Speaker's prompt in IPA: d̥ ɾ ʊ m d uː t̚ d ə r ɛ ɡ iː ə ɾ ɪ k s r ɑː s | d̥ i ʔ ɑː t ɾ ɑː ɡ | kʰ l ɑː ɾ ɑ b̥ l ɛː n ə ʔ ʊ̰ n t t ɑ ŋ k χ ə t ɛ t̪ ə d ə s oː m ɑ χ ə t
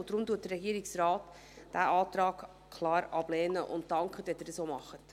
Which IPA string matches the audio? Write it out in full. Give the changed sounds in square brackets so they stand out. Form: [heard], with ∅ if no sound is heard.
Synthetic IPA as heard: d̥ ɾ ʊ m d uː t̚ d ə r ɛ ɡ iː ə ɾ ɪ k s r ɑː [t] | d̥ [æ] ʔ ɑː t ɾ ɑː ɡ | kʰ l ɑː ɾ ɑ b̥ l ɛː n ə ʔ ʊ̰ n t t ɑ ŋ k χ ə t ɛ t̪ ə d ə s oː m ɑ χ ə t